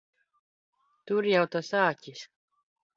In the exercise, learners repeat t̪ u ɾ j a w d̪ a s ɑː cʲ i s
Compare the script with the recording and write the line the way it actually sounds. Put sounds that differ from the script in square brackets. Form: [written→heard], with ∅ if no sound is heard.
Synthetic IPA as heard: t̪ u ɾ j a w [d̪→t̪] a s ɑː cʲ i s